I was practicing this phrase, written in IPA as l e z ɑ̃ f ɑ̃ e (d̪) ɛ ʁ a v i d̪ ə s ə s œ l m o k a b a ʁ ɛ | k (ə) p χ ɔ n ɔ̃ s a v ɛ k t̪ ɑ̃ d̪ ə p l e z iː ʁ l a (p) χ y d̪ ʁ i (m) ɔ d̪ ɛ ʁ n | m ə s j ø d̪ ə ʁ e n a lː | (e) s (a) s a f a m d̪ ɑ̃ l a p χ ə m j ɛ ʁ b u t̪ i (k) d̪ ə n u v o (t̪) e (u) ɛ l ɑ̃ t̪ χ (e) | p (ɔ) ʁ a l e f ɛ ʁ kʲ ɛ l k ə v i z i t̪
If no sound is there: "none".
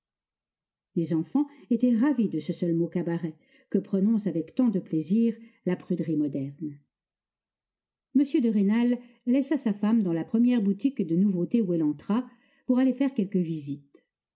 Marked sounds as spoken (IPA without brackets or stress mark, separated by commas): t̪, ə, p, m, ɛ, a, k, t̪, u, a, u